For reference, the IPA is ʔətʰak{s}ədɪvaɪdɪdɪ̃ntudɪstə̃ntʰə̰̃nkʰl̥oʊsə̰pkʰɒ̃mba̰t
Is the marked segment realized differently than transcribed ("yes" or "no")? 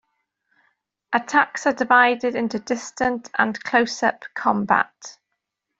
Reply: no